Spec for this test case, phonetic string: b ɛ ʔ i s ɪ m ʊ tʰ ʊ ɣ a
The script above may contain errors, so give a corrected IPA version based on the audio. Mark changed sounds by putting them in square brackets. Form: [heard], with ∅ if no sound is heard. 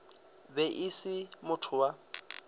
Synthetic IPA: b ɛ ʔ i s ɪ m ʊ tʰ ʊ [w] a